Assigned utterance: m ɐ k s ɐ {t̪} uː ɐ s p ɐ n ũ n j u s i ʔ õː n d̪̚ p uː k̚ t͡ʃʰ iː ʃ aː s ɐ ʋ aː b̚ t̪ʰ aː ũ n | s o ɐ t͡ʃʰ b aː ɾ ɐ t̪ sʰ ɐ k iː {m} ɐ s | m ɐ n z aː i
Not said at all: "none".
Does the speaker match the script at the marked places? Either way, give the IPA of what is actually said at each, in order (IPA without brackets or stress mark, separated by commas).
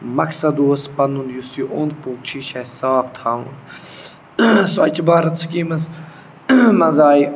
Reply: d̪, m